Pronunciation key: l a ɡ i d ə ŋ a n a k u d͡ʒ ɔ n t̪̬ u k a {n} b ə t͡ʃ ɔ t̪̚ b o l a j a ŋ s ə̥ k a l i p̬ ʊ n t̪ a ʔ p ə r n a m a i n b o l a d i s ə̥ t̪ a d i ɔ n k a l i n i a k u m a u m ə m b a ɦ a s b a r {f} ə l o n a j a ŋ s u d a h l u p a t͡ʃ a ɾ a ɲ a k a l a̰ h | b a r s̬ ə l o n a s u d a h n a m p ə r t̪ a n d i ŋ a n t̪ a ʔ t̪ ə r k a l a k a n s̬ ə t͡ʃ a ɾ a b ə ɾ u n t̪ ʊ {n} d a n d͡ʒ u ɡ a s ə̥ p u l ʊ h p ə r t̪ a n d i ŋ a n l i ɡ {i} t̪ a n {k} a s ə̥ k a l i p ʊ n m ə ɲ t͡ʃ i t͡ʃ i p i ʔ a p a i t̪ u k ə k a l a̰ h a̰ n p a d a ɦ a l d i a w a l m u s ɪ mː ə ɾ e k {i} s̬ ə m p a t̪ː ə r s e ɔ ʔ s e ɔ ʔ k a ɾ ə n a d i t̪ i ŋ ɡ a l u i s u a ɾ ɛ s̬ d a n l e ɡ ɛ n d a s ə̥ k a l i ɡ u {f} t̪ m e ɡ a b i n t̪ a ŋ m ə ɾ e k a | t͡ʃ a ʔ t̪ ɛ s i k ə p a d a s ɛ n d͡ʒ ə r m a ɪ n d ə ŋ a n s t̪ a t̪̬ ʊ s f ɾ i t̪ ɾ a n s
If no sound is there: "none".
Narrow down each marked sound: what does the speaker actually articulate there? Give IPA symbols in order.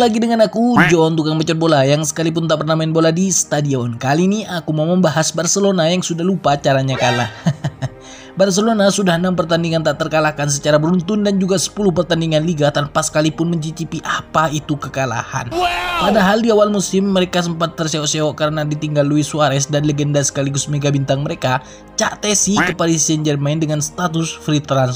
ŋ, s, n, a, p, a, s

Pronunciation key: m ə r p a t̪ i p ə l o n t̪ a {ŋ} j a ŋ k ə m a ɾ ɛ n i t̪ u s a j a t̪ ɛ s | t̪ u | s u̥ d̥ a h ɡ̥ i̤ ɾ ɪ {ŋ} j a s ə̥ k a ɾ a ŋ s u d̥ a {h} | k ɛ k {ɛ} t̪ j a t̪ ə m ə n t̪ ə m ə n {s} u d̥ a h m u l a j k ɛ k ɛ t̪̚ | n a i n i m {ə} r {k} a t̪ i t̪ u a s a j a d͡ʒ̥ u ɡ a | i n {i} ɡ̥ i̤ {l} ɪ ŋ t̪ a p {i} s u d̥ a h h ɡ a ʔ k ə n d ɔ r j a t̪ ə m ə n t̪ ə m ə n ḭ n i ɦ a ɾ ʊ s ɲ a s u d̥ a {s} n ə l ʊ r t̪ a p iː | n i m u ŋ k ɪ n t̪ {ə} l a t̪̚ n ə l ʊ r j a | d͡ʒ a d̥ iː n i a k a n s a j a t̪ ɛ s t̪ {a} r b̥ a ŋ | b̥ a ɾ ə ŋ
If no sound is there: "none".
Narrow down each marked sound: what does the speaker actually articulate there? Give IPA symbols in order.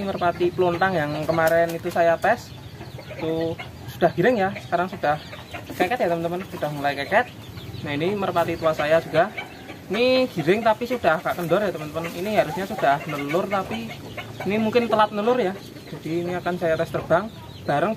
ŋ, ŋ, h, ɛ, s, ə, p, i, ɾ, i, h, ə, ə

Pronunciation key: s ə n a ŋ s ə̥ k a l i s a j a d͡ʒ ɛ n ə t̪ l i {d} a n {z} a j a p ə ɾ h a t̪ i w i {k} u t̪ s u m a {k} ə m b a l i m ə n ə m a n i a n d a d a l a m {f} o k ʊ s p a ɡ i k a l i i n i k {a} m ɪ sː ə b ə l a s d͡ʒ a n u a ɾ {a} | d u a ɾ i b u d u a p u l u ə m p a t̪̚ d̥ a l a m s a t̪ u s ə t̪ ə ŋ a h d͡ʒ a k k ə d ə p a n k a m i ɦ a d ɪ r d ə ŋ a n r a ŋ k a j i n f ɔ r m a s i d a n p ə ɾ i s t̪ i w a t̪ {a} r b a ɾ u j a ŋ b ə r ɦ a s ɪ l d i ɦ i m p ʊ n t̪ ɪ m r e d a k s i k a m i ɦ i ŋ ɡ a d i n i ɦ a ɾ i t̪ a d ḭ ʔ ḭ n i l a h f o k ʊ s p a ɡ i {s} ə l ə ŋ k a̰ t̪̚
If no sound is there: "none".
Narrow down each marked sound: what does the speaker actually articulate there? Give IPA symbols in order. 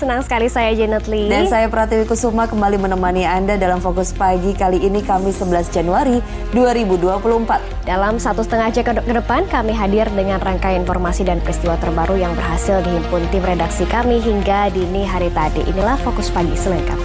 d, s, k, k, f, a, i, ə, s

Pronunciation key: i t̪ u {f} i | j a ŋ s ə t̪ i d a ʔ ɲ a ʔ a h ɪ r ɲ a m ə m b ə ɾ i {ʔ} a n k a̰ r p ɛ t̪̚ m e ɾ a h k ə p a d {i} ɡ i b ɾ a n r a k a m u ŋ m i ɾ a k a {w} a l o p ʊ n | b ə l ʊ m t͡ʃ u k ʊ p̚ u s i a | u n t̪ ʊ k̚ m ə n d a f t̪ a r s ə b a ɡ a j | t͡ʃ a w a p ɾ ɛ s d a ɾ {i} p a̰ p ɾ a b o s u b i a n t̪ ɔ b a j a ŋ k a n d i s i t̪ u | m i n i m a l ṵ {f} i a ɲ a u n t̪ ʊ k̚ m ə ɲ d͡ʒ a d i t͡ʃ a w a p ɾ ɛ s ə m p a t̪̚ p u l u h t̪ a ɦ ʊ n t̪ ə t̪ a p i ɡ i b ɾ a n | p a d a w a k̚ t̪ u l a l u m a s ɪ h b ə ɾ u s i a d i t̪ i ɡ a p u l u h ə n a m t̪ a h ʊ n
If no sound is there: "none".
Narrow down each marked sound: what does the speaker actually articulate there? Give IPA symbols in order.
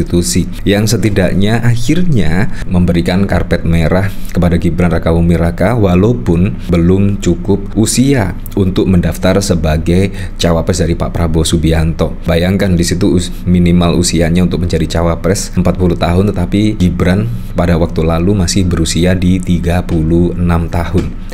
s, k, a, w, i, s

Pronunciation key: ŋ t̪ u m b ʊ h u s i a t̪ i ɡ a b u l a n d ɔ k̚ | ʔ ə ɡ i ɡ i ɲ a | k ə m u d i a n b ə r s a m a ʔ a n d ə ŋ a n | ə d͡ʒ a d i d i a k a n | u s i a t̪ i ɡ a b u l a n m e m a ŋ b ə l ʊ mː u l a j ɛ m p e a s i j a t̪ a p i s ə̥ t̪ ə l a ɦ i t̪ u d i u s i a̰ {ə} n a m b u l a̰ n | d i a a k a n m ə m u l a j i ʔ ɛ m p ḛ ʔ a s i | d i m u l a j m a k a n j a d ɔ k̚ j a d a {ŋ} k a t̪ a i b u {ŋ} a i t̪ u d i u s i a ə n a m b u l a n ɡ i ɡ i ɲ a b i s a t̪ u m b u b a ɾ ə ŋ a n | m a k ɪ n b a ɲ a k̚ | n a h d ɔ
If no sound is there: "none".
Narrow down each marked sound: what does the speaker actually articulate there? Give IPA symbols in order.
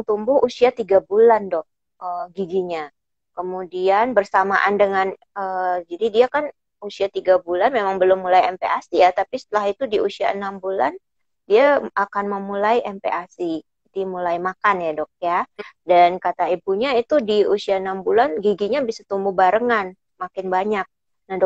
ə, n, ɲ

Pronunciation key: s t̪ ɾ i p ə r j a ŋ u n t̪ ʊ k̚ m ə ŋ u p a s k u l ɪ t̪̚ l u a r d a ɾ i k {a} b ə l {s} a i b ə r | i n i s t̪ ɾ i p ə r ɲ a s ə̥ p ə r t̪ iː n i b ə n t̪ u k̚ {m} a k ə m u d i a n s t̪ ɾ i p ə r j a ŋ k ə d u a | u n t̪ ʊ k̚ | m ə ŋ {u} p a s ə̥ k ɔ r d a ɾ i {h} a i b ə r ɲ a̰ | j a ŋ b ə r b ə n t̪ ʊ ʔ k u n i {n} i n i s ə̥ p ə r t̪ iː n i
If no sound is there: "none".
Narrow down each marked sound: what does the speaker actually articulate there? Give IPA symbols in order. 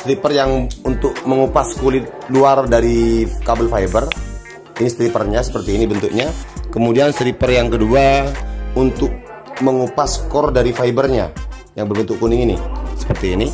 a, f, ɲ, u, f, ŋ

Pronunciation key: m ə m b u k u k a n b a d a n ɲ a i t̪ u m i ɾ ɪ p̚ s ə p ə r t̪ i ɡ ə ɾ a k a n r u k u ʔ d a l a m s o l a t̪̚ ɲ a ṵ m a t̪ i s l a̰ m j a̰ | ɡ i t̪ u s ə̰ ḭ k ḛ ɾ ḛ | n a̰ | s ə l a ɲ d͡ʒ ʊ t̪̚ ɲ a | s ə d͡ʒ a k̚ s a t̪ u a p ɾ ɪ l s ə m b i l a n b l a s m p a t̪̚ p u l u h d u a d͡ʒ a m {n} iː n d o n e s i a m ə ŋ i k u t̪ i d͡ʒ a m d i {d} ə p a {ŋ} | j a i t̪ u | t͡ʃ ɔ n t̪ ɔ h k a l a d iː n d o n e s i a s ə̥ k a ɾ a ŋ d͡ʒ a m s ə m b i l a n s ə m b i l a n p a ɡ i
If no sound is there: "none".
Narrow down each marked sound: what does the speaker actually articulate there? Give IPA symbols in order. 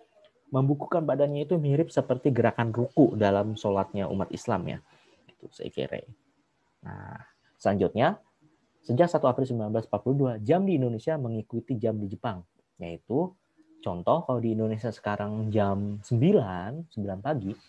d, d͡ʒ, ŋ

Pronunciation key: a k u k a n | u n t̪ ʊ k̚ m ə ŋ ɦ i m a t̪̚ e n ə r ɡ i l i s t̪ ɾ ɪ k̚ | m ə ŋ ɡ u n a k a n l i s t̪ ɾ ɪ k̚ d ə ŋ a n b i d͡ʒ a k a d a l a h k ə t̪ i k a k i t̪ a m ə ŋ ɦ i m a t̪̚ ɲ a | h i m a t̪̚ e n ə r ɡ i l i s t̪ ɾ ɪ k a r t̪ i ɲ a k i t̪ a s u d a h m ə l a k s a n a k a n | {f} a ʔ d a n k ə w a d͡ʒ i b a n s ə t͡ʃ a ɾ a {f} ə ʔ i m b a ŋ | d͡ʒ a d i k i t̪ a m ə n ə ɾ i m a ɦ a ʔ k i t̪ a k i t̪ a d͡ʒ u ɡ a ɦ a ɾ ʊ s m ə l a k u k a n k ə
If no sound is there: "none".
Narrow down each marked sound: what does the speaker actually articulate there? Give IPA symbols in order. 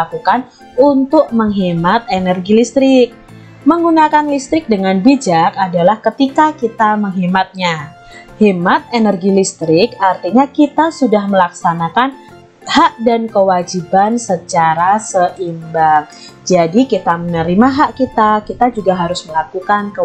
h, s

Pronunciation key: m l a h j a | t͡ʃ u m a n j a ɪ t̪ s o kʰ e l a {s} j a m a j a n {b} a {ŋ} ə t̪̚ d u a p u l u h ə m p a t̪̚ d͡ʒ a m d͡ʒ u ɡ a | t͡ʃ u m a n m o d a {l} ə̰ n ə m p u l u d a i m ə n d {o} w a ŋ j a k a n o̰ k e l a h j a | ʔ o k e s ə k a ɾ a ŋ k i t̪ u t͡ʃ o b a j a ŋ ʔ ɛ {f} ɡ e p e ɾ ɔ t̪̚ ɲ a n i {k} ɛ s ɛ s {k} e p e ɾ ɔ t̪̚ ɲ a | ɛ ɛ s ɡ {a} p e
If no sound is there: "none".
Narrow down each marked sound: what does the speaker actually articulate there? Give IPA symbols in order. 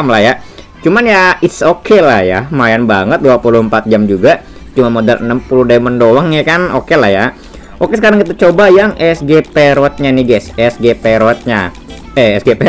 h, b, ŋ, l, o, s, ɡ, ɡ, e

